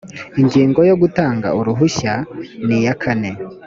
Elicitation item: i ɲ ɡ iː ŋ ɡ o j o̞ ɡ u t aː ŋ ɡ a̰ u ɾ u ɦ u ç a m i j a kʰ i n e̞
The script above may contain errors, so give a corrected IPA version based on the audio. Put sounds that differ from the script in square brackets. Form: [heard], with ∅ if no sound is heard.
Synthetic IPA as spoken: i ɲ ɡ iː ŋ ɡ o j o̞ ɡ u t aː ŋ ɡ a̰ u ɾ u ɦ u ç a [n] i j a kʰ [a] n e̞